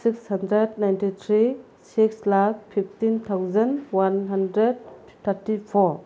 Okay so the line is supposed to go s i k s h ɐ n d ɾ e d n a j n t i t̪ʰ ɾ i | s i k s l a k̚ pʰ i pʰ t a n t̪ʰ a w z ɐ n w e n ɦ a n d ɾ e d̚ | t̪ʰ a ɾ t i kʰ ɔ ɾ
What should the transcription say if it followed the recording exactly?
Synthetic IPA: s i k s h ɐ n d ɾ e d n a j n t i t̪ʰ ɾ i | s i k s l a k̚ pʰ i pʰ t i n t̪ʰ a w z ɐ n w a n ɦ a n d ɾ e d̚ | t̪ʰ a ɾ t i pʰ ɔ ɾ

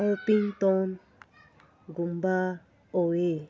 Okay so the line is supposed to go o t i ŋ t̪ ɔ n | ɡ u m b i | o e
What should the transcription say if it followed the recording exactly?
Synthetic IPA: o p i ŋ t̪ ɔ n | ɡ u m b a | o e

